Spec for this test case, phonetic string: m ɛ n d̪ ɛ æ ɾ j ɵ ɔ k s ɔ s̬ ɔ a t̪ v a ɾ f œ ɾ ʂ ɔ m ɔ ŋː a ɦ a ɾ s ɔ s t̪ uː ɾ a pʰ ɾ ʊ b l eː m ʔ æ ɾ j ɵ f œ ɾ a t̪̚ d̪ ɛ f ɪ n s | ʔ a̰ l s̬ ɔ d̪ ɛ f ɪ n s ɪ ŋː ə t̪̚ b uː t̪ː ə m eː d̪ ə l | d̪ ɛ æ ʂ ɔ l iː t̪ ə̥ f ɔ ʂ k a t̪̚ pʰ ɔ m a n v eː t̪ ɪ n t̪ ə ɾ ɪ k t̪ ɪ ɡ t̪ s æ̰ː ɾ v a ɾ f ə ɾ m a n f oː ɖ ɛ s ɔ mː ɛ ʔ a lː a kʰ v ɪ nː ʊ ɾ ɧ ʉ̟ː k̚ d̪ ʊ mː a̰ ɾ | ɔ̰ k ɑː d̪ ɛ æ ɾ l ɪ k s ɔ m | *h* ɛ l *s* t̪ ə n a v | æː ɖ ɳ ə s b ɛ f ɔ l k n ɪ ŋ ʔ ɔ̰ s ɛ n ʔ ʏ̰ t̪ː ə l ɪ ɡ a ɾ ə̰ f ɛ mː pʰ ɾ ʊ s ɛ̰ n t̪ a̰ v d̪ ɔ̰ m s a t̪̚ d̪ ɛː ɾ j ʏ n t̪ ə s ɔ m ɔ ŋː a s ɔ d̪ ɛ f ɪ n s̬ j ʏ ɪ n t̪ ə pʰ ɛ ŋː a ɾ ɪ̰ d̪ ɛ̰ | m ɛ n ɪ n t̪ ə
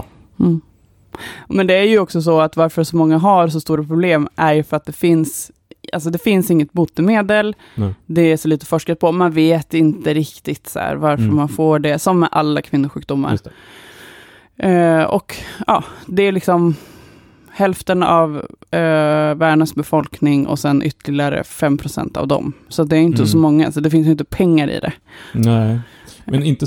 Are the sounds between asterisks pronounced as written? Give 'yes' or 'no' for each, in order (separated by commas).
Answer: yes, no